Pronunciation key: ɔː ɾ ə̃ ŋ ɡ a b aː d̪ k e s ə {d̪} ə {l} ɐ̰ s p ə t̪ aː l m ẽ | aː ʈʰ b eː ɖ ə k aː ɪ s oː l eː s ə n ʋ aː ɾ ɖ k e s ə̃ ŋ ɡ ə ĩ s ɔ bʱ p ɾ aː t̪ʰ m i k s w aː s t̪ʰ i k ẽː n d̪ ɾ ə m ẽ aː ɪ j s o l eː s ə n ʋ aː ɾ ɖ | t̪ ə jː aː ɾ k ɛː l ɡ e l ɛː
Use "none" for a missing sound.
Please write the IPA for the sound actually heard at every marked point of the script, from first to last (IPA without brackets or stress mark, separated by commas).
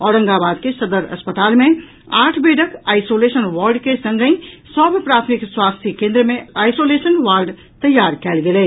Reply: d̪, ɾ